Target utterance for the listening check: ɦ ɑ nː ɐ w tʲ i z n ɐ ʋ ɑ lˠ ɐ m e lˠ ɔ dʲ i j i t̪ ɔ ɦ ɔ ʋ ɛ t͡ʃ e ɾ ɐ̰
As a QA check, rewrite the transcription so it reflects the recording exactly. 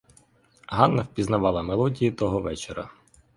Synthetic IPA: ɦ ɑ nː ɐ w pʲ i z n ɐ ʋ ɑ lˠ ɐ m e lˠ ɔ dʲ i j i t̪ ɔ ɦ ɔ ʋ ɛ t͡ʃ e ɾ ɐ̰

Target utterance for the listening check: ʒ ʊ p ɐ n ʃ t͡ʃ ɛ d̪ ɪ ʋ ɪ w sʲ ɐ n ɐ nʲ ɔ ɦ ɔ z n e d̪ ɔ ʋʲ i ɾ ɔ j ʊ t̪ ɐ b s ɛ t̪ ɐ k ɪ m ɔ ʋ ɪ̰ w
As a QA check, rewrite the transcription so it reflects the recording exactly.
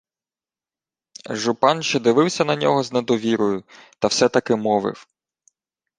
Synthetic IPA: ʒ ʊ p ɑ n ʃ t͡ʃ ɛ d̪ ɪ ʋ ɪ w sʲ ɐ n ɐ nʲ ɔ ɦ ɔ z n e d̪ ɔ ʋʲ i ɾ ɔ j ʊ t̪ ɐ w s ɛ t̪ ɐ k ɪ m ɔ ʋ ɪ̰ w

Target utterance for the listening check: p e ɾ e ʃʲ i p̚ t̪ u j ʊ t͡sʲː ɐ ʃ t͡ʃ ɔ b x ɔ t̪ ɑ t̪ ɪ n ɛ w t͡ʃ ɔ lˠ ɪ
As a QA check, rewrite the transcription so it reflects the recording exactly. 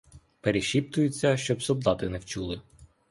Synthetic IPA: p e ɾ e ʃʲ i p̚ t̪ ʊ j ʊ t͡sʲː ɐ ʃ t͡ʃ ɔ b s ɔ d̪ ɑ t̪ ɪ n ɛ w t͡ʃ u lˠ ɪ

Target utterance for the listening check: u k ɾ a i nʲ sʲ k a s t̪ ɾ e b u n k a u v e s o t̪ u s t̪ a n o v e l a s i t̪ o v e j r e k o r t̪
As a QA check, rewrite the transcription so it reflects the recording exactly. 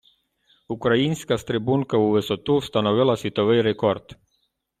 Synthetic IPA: u k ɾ a i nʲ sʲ k a s t̪ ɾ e b u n k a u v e s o t̪ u s t̪ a n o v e l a s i t̪ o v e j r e k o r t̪

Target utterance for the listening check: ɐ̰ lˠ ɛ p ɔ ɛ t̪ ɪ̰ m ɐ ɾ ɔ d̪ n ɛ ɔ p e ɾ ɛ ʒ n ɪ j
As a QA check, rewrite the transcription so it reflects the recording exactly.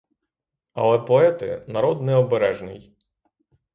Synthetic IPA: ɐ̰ lˠ ɛ p ɔ ɛ t̪ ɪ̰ n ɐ ɾ ɔ d̪ n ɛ ɔ b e ɾ ɛ ʒ n ɪ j

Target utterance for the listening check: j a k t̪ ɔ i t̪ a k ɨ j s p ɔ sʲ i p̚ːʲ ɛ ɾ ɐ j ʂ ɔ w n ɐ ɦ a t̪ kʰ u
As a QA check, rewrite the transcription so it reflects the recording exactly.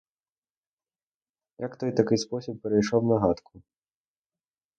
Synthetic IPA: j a k t̪ ɔ j t̪ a k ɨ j s p ɔ sʲ i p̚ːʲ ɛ ɾ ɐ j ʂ ɔ w n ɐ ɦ a t̪ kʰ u

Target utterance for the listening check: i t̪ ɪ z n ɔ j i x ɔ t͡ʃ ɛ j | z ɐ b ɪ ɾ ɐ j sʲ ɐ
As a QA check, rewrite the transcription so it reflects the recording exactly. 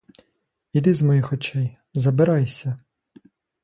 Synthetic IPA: i d̪ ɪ z m ɔ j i x ɔ t͡ʃ ɛ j | z ɐ b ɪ ɾ ɑ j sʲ ɐ

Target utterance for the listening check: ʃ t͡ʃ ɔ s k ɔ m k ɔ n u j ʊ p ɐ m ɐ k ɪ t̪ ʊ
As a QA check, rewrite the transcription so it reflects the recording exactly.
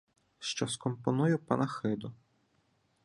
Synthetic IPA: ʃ t͡ʃ ɔ s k ɔ m p ɔ n u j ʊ p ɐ n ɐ x ɪ d̪ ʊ

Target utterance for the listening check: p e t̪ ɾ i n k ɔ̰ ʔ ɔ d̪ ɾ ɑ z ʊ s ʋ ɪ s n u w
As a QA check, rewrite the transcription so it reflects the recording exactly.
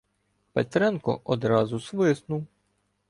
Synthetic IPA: p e t̪ ɾ ɛ n k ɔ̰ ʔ ɔ d̪ ɾ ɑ z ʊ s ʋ ɪ s n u w

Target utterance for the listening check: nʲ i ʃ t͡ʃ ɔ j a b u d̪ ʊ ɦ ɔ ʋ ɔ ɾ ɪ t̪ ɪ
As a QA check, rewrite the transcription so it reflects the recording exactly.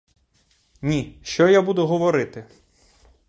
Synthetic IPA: nʲ i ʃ t͡ʃ ɔ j a b u d̪ ʊ ɦ ɔ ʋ ɔ ɾ ɪ t̪ ɪ

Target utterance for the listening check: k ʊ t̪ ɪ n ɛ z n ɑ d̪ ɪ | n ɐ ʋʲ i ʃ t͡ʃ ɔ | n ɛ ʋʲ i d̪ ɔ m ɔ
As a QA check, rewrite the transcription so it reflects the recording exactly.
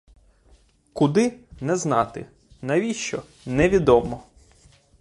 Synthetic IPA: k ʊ d̪ ɪ n ɛ z n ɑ t̪ ɪ | n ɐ ʋʲ i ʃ t͡ʃ ɔ | n ɛ ʋʲ i d̪ ɔ m ɔ

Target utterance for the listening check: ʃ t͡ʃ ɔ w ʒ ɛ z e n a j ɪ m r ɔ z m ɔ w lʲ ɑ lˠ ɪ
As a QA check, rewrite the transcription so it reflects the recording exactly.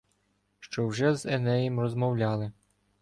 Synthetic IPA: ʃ t͡ʃ ɔ w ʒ ɛ z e n ɛ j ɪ m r ɔ z m ɔ w lʲ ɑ lˠ ɪ

